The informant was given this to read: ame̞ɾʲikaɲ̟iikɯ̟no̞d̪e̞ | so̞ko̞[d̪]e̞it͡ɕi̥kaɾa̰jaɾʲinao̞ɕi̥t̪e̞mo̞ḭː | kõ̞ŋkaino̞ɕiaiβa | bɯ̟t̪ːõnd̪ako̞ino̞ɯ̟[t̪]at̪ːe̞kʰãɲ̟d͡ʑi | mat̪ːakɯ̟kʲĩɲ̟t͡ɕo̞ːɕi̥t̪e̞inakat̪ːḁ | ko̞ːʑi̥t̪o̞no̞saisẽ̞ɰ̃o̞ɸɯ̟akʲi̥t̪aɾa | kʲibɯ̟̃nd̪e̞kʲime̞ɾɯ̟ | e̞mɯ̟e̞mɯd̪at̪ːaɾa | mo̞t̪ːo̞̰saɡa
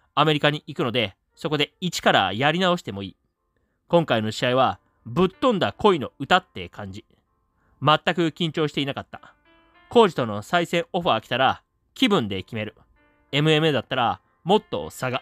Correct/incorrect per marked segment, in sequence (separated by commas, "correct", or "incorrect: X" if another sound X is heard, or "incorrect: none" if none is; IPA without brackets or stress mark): correct, correct